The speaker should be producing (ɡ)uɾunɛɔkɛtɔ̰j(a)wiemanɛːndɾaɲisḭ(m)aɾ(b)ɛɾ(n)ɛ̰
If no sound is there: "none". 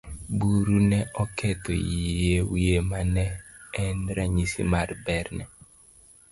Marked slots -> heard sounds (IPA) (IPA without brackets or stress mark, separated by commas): b, e, m, b, n